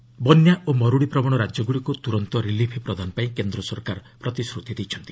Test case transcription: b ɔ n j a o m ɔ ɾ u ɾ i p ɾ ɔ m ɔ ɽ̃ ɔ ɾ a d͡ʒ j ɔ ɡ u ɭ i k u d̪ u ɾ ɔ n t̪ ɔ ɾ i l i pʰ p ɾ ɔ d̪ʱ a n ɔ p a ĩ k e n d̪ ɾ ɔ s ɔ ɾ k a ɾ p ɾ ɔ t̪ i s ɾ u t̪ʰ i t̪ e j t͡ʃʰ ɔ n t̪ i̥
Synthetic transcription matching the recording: b ɔ n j a o m ɔ ɾ u ɽ i p ɾ ɔ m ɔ ɽ̃ ɔ ɾ a d͡ʒ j ɔ ɡ u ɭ i k u t̪ u ɾ ɔ n t̪ ɔ ɾ i l i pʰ p ɾ ɔ d̪ʱ a n ɔ p a ĩ k e n d̪ ɾ ɔ s ɔ ɾ k a ɾ p ɾ ɔ t̪ i s ɾ u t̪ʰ i d̪ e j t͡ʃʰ ɔ n t̪ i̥